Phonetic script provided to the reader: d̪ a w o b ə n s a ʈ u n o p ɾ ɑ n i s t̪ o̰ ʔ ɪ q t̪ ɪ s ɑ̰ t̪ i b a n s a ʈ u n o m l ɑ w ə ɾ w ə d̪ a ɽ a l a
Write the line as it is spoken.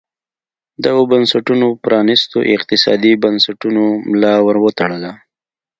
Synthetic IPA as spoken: d̪ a ɣ o b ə n s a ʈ u n o p ɾ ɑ n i s t̪ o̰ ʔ ɪ q t̪ ɪ s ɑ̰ d̪ i b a n s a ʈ u n o m l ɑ w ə ɾ w ə t̪ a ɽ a l a